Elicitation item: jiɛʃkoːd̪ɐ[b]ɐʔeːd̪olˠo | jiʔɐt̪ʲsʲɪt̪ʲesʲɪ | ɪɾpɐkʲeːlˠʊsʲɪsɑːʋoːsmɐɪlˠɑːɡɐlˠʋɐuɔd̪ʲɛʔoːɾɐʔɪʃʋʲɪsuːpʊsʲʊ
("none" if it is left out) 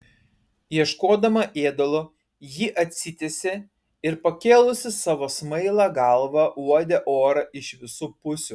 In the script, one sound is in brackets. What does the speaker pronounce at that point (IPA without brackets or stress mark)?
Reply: m